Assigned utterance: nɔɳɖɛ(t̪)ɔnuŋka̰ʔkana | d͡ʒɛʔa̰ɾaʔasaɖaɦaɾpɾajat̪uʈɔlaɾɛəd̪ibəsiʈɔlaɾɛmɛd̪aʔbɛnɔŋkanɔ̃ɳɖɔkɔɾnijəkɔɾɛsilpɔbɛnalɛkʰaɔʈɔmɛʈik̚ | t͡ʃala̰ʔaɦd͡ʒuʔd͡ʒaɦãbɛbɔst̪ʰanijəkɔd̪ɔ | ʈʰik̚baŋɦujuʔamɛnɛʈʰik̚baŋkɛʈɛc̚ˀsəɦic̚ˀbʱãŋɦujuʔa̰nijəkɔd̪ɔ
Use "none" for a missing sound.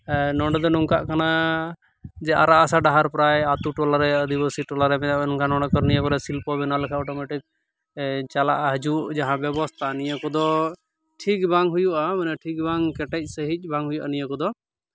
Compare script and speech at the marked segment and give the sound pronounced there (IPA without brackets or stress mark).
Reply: d̪